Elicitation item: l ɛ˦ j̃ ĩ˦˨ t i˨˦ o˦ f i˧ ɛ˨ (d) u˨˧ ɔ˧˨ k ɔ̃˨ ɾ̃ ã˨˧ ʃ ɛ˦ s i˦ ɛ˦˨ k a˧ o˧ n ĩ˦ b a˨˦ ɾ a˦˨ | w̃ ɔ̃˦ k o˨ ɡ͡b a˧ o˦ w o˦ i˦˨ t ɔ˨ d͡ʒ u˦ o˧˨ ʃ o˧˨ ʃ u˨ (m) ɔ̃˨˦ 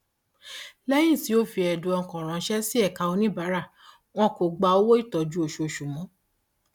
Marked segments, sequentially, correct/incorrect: correct, correct

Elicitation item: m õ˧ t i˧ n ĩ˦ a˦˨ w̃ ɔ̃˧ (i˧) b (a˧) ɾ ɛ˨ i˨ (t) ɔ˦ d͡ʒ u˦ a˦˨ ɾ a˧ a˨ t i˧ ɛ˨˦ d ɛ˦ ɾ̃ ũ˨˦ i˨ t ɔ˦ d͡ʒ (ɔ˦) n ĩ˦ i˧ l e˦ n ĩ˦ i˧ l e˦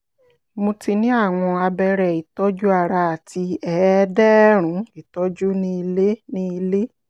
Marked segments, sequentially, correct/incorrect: incorrect, incorrect, correct, incorrect

